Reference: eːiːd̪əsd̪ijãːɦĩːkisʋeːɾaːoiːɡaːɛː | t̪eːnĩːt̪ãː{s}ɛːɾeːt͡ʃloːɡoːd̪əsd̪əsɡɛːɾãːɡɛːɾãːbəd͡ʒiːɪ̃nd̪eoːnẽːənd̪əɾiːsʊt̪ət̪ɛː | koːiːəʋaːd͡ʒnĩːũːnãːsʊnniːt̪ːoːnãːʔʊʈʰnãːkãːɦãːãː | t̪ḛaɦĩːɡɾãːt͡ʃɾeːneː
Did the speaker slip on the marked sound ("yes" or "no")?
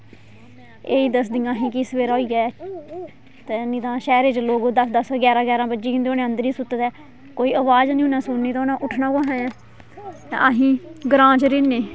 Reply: yes